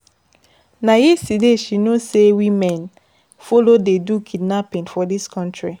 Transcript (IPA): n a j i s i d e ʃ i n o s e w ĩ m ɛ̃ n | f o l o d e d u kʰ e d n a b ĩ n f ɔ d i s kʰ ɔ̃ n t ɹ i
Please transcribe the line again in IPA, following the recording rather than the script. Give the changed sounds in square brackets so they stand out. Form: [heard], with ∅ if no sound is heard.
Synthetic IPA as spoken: n a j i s i d e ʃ i n o s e w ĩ m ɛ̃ n | f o l o d e d u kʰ [i] d n a [p] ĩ n f ɔ d i s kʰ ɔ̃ n t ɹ i